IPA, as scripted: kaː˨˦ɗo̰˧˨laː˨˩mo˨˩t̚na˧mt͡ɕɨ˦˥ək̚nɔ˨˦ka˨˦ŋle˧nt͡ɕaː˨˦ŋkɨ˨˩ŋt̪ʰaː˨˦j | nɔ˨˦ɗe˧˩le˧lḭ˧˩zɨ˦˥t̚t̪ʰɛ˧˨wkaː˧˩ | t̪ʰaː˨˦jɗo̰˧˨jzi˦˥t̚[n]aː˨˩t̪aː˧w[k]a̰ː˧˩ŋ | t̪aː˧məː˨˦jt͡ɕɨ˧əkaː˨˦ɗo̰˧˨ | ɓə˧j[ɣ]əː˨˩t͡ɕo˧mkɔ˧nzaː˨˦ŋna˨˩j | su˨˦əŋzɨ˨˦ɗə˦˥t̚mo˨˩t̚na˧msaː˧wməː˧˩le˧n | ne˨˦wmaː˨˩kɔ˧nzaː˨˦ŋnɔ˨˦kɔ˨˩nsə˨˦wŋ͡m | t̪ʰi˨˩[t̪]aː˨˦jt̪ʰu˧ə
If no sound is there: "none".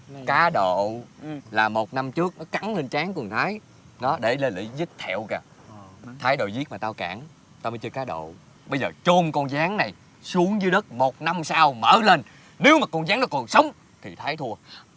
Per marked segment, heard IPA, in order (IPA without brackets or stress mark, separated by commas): m, k, z, t̪ʰ